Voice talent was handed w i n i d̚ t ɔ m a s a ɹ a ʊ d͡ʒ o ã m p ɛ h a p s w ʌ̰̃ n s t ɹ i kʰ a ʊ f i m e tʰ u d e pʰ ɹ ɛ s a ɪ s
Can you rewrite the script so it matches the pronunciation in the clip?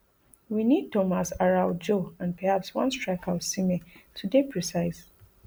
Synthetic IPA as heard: w i n i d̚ t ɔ m a s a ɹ a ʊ d͡ʒ o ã n p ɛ h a p s w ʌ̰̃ n s t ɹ a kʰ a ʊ s i m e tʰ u d e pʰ ɹ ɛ s a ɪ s